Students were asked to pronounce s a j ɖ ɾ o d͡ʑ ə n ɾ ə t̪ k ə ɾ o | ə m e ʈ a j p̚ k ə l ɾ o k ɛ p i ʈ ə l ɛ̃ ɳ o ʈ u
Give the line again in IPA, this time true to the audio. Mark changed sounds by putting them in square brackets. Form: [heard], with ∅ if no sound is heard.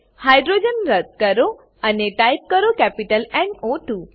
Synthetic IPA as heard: [h] a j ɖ ɾ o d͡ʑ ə n ɾ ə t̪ k ə ɾ o | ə [n] e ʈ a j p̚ k ə [∅] ɾ o k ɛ p i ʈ ə l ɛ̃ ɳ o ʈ u